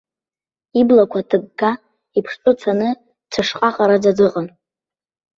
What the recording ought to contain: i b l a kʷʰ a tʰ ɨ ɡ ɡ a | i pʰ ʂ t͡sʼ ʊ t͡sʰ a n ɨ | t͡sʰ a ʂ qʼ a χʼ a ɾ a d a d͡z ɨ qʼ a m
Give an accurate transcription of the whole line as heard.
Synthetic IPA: i b l a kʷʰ a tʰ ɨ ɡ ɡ a | i pʰ ʂ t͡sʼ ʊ t͡sʰ a n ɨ | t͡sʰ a ʂ qʼ a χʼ a ɾ a d͡z a d͡z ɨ qʼ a n